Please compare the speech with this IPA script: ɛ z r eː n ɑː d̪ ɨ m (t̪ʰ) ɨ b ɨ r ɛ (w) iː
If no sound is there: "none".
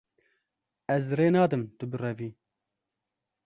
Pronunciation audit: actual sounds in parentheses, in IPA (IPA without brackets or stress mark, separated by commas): t̪, v